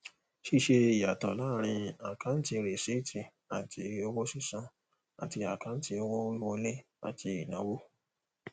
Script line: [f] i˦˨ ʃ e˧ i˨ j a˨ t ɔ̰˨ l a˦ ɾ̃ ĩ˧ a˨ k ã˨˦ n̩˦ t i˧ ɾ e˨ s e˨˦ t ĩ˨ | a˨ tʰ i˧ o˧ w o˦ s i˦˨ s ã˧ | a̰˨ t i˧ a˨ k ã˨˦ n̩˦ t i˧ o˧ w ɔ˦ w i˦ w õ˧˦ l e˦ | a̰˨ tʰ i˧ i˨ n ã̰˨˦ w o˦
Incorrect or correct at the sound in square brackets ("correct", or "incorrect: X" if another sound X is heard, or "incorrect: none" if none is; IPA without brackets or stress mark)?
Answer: incorrect: ʃ